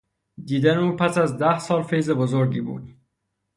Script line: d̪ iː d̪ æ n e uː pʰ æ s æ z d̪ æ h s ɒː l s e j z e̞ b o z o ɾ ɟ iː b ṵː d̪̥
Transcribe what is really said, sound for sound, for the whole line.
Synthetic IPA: d̪ iː d̪ æ n e uː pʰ æ s æ z d̪ æ h s ɒː l f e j z e̞ b o z o ɾ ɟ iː b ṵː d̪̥